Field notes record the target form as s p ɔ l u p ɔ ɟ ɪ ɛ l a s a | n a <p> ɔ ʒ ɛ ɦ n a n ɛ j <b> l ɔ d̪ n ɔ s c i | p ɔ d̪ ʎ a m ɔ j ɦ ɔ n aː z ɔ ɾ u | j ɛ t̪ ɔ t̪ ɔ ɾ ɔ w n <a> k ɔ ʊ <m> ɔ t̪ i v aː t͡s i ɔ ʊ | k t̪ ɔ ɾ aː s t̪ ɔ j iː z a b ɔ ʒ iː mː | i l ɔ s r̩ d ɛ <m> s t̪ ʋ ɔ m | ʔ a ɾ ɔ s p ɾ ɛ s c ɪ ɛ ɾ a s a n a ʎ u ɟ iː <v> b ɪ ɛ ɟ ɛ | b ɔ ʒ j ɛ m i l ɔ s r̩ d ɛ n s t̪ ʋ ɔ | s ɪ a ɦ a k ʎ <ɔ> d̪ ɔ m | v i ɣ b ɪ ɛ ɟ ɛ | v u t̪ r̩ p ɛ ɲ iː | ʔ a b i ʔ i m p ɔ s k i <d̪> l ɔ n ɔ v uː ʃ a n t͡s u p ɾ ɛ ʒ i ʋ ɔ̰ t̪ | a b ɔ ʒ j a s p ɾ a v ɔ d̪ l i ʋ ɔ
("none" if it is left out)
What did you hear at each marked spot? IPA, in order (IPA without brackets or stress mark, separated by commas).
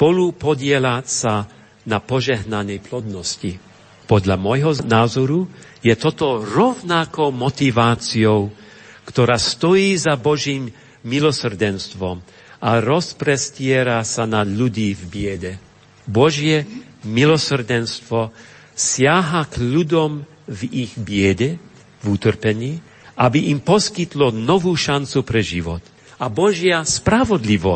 p, p, a, m, n, v, u, t̪